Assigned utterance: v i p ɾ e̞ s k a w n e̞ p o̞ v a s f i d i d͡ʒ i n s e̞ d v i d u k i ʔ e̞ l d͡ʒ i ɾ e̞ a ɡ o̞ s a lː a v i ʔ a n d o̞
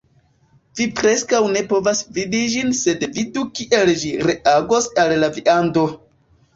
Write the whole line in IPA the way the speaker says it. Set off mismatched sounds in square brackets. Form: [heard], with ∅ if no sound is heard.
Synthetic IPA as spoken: v i p ɾ e̞ s k a w n e̞ p o̞ v a s [v] i d i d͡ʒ i n s e̞ d v i d u k i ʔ e̞ l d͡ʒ i ɾ e̞ a ɡ o̞ s a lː a v i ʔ a n d o̞